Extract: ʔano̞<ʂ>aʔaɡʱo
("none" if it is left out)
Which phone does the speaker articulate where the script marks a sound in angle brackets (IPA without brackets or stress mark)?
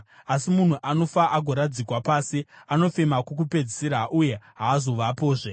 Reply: f